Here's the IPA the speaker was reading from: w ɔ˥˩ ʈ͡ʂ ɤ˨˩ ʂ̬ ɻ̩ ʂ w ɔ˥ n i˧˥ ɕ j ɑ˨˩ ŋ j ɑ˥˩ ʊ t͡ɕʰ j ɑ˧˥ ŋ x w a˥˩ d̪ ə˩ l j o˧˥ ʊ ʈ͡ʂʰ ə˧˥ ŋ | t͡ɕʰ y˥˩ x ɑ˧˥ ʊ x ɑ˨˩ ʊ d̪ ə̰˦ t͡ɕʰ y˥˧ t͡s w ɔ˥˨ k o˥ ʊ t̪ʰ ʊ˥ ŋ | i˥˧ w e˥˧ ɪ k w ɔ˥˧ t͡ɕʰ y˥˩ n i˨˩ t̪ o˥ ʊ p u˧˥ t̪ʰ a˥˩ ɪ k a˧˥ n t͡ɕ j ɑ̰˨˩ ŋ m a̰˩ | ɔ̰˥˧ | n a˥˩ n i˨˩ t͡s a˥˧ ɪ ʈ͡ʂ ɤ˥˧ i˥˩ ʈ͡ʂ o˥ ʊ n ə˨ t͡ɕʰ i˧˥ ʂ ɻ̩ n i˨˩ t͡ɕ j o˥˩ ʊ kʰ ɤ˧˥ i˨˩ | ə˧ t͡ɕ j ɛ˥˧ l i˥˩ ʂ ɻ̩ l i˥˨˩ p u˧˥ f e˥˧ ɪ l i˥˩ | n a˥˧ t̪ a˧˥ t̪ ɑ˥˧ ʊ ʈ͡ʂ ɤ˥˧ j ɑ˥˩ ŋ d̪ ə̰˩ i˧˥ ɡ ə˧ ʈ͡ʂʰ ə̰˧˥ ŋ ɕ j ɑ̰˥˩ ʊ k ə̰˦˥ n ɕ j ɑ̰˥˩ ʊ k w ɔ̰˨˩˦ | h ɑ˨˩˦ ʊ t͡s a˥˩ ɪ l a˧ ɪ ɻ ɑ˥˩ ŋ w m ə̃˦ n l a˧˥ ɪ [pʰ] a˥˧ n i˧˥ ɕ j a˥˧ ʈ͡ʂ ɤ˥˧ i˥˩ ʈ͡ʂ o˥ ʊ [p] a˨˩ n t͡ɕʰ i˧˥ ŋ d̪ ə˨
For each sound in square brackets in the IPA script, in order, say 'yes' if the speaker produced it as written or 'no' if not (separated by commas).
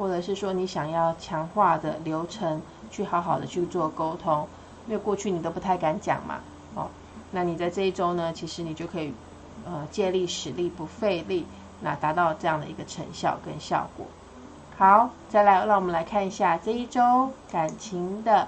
no, no